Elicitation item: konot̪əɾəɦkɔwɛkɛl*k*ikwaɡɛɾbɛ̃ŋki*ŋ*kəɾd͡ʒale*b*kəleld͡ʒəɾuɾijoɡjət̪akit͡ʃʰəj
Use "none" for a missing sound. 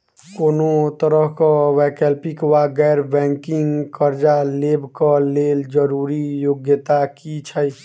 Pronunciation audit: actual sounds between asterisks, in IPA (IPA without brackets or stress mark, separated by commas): p, ŋ, b